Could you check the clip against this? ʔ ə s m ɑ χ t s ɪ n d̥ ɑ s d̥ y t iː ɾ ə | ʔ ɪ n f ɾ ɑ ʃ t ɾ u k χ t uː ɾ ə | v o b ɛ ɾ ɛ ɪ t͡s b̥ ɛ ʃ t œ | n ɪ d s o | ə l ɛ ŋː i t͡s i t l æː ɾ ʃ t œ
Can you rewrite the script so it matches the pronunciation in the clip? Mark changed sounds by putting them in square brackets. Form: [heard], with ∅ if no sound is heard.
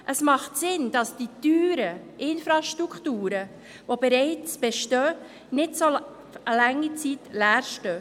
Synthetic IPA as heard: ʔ ə s m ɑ χ t s ɪ n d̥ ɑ s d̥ [i] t [yː] ɾ ə | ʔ ɪ n f ɾ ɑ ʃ t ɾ u k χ t uː ɾ ə | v o b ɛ ɾ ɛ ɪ t͡s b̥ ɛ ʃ t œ | n ɪ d s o | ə l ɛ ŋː i t͡s i t l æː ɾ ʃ t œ

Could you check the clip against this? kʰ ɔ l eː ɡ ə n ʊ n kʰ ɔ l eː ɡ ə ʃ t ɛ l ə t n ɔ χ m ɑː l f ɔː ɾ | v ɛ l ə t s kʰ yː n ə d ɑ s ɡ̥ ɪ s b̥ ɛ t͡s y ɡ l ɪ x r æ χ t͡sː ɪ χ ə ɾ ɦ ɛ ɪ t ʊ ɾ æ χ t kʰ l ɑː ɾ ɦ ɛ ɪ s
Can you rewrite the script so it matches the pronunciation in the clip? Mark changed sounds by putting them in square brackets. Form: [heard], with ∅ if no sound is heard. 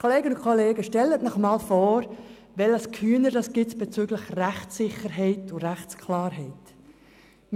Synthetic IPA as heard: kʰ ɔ l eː ɡ ə n ʊ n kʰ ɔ l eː ɡ ə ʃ t ɛ l ə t n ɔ χ m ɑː l f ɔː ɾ | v ɛ l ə [∅] s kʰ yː n ə d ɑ s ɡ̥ ɪ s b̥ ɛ t͡s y ɡ l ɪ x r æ χ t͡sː ɪ χ ə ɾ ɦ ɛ ɪ t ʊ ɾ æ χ [t͡s] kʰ l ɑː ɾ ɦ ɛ ɪ [t]

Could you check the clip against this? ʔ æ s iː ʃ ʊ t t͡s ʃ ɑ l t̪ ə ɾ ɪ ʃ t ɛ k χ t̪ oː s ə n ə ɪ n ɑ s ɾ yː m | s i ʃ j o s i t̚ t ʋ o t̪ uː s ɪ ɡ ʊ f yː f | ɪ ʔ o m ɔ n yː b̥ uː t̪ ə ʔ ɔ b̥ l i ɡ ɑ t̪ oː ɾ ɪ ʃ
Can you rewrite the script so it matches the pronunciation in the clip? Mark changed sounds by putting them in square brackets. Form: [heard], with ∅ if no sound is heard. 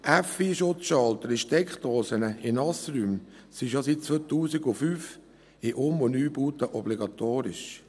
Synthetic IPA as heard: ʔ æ [f] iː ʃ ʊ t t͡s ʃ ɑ l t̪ ə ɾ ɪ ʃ t ɛ k χ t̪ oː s ə n ə ɪ n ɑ s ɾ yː m | s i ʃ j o s i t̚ [t͡s] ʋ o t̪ uː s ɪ ɡ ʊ f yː f | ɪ ʔ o m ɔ n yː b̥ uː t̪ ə ʔ ɔ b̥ l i ɡ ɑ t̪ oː ɾ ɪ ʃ

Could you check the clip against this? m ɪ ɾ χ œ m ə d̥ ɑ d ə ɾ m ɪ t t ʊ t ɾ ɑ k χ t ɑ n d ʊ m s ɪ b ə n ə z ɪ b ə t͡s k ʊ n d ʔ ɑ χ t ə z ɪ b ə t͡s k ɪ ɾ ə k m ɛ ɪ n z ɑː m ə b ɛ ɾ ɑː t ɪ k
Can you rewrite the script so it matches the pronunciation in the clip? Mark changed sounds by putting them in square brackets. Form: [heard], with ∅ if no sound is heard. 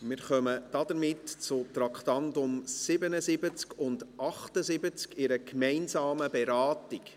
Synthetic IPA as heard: m ɪ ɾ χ œ m ə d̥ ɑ d ə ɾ m ɪ t [t͡s] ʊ t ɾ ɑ k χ t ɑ n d ʊ m s ɪ b ə n ə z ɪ b ə t͡s k ʊ n d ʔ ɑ χ t ə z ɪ b ə t͡s k ɪ ɾ ə k m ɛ ɪ n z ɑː m ə b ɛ ɾ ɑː t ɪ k

